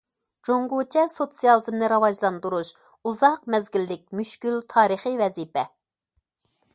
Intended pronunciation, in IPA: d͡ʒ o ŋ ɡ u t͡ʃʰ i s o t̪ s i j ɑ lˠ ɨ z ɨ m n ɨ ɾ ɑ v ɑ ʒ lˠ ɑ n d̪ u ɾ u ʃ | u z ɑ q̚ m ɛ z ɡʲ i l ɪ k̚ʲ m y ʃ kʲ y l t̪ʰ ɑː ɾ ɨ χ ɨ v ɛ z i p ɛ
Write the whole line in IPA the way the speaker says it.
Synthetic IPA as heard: d͡ʒ o ŋ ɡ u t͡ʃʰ ɛ s o t̪ s i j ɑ lˠ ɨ z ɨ m n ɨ ɾ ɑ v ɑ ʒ lˠ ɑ n d̪ u ɾ u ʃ | u z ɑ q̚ m ɛ z ɡʲ i lː ɪ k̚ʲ m y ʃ kʲ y l t̪ʰ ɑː ɾ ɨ χ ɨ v ɛ z i p ɛ